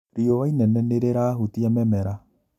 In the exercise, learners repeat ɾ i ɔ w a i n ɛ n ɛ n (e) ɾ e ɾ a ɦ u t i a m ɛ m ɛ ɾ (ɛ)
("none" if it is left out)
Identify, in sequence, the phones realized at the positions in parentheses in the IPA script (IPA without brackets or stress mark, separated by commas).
e, a